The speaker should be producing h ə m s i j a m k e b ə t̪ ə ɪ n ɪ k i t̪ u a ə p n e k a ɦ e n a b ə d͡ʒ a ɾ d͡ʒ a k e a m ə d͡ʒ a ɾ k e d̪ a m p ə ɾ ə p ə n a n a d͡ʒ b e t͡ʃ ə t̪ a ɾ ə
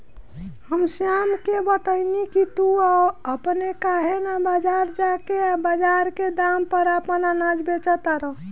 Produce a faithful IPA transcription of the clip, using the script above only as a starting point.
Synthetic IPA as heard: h ə m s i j a m k e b ə t̪ ə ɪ n i k i t̪ u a ə p n e k a ɦ e n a b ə d͡ʒ a ɾ d͡ʒ a k e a b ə d͡ʒ a ɾ k e d̪ a m p ə ɾ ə p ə n a n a d͡ʒ b e t͡ʃ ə t̪ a ɾ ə